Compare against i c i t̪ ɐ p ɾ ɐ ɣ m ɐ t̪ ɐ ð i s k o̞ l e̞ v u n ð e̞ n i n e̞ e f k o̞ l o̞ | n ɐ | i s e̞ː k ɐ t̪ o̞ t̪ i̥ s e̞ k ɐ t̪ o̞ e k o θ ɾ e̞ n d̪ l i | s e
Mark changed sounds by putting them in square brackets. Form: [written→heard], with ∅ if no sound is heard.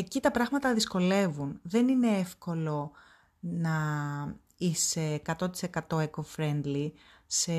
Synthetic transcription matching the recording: [i→e] c i t̪ ɐ p ɾ ɐ ɣ m ɐ t̪ ɐ ð i s k o̞ l e̞ v u n ð e̞ n i n e̞ e f k o̞ l o̞ | n ɐ | i s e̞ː k ɐ t̪ o̞ t̪ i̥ s e̞ k ɐ t̪ o̞ e k o [θ→f] ɾ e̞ n d̪ l i | s e